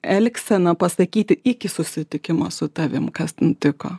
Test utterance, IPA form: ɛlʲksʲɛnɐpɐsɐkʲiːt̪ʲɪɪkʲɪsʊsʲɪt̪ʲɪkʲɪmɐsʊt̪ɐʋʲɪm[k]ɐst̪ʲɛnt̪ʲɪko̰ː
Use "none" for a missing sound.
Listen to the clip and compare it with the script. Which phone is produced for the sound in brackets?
k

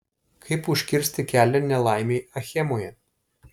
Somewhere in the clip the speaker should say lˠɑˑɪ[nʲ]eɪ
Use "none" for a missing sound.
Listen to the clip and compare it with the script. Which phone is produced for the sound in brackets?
mʲ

